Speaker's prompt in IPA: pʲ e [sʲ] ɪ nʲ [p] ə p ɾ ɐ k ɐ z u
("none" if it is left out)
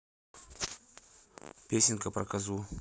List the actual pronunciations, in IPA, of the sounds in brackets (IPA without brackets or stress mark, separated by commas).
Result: sʲ, k